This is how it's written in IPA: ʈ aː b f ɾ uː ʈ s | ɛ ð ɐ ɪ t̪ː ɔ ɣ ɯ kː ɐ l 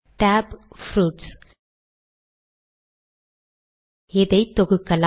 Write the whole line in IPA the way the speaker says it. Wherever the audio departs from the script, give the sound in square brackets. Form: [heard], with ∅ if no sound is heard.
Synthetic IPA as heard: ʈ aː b f ɾ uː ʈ s | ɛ ð ɐ ɪ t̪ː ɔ ɣ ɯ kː ɐ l